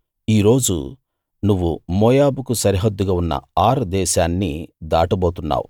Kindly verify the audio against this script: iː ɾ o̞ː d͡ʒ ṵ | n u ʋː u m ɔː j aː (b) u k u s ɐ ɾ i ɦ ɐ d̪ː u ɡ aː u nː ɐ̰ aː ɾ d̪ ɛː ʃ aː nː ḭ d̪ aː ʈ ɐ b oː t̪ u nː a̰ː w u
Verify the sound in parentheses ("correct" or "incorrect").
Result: correct